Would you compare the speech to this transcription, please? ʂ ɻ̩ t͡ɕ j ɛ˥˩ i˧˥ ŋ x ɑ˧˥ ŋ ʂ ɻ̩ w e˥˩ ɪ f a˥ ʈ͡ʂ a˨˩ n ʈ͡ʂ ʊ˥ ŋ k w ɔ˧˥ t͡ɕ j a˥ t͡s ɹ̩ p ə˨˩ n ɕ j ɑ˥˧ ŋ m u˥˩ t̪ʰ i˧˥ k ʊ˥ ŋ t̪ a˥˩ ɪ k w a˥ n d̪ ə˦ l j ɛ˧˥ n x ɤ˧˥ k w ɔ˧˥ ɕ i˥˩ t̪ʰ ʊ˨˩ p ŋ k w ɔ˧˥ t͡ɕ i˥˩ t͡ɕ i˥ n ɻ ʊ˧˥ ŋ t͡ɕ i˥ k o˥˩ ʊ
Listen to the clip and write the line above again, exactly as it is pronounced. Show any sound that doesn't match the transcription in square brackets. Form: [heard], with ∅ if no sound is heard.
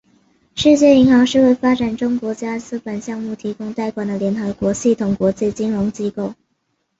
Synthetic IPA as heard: ʂ ɻ̩ t͡ɕ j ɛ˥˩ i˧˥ ŋ x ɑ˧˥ ŋ ʂ ɻ̩ w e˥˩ ɪ f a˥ ʈ͡ʂ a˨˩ n ʈ͡ʂ ʊ˥ ŋ k w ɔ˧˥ t͡ɕ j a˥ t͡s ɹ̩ p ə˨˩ n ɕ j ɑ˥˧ ŋ m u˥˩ t̪ʰ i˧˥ k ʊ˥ ŋ t̪ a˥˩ ɪ k w [a˨˩] n d̪ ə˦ l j ɛ˧˥ n x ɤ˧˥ k w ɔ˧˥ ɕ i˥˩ t̪ʰ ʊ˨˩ [∅] ŋ k w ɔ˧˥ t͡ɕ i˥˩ t͡ɕ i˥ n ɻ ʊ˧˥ ŋ t͡ɕ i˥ k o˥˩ ʊ